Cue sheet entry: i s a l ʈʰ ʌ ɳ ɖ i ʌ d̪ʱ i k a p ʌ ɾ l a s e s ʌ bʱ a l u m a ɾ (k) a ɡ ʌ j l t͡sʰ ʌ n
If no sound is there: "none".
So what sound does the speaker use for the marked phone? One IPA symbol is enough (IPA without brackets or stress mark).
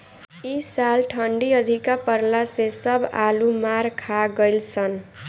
kʰ